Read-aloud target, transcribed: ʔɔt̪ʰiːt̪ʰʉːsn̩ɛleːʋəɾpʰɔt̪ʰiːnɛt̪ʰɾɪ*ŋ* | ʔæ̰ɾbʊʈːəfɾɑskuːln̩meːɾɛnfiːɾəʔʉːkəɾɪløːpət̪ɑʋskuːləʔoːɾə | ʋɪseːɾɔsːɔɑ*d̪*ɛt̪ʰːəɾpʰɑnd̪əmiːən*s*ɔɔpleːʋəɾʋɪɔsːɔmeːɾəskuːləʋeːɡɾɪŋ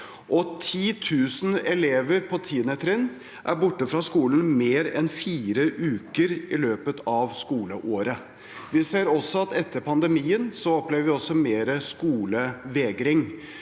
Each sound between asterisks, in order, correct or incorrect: incorrect: n, incorrect: t̪, correct

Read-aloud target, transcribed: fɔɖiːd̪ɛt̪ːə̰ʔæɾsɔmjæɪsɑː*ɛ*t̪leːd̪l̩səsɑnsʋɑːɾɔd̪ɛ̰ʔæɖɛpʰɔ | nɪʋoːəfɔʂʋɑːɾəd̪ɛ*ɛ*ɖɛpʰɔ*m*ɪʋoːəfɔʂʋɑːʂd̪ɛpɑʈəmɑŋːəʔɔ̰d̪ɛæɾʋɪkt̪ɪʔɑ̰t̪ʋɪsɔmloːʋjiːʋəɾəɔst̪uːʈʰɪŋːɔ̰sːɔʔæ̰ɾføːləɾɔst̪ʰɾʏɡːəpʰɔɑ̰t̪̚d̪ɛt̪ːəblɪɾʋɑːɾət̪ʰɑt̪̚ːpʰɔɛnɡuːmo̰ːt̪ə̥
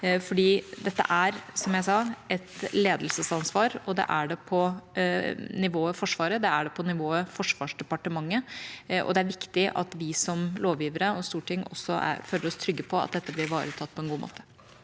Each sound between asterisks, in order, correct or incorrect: correct, incorrect: æ, incorrect: n

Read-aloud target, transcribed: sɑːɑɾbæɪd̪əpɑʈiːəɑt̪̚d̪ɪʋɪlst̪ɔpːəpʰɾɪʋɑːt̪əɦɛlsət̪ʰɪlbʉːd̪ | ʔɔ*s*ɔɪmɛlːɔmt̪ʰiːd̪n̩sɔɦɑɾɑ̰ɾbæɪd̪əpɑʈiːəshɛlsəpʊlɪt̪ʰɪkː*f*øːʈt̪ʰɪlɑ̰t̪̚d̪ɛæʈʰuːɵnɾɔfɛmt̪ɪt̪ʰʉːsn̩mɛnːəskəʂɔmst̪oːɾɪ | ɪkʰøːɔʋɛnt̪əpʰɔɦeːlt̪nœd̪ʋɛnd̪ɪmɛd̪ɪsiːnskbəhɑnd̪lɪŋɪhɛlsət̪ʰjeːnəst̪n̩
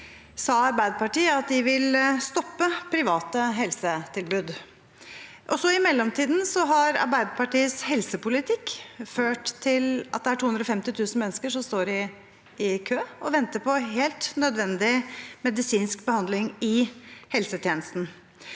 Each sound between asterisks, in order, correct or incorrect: correct, correct

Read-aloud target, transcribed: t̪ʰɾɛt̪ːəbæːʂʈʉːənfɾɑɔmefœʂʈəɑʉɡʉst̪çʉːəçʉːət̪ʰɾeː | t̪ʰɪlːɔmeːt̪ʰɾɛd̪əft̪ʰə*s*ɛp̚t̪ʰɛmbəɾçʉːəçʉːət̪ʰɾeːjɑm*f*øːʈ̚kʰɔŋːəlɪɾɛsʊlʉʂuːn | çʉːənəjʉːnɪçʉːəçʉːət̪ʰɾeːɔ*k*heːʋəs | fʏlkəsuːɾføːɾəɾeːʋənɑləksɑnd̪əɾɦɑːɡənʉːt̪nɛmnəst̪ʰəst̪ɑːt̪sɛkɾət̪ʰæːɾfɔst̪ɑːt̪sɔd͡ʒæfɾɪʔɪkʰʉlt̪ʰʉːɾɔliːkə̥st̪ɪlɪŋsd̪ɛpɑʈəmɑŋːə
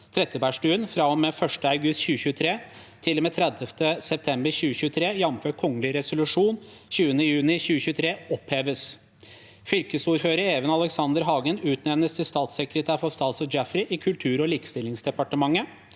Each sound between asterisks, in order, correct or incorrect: correct, correct, incorrect: p

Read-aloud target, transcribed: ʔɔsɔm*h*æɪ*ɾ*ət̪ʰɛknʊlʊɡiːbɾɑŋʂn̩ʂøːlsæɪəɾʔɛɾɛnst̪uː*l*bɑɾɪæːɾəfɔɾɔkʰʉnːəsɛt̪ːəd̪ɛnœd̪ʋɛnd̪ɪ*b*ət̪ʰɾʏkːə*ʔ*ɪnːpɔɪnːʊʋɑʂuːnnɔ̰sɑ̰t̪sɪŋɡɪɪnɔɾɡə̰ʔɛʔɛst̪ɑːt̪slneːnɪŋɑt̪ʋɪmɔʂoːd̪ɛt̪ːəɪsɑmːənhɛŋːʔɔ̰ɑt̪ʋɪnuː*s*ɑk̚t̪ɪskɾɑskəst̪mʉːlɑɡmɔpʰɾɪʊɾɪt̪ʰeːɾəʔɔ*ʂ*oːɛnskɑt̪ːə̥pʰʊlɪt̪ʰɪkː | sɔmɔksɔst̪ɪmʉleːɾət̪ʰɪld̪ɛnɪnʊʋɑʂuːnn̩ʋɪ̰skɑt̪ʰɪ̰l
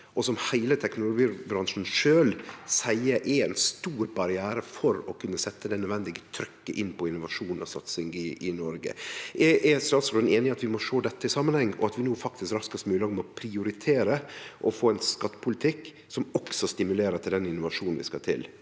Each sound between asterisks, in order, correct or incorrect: correct, incorrect: l, incorrect: ɾ, incorrect: ɡ, correct, incorrect: f, incorrect: f

